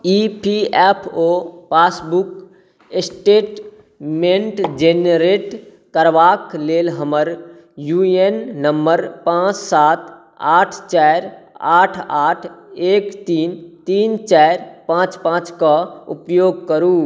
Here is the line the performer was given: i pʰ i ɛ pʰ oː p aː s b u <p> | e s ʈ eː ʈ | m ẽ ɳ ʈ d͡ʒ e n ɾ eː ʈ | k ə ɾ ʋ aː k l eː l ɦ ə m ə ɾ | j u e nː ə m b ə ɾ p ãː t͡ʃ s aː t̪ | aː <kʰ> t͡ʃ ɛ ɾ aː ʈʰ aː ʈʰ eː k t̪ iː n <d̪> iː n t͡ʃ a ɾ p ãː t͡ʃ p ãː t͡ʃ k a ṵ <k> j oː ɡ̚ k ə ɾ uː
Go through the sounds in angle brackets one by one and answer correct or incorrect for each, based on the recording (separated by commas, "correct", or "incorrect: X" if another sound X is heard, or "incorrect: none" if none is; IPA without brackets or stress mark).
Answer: incorrect: k, incorrect: ʈʰ, incorrect: t̪, incorrect: p